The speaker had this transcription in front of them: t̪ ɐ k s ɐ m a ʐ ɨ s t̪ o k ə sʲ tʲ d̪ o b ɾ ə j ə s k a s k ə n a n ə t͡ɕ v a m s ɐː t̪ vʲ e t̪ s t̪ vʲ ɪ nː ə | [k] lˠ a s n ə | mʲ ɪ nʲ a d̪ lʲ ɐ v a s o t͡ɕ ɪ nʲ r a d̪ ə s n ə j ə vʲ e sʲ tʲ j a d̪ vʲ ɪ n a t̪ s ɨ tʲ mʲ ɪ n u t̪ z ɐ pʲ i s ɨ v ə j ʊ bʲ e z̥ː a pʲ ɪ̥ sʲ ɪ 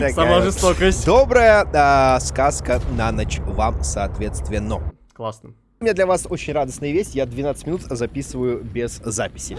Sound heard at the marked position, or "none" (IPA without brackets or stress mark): k